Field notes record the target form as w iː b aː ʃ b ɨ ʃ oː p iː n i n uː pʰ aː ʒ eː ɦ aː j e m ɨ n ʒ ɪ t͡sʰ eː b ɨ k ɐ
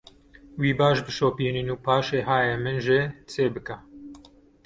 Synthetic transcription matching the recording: w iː b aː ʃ b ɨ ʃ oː p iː n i n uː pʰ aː ʃ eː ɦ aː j e m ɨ n ʒ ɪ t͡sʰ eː b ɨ k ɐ